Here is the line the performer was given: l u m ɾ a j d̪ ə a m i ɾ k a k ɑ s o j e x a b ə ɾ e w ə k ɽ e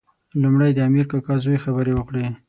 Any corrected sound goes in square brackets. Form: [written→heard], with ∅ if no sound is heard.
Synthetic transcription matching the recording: l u m [ɾ→ɽ] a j d̪ ə a m i ɾ k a k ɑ [s→z] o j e x a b ə ɾ e w ə k ɽ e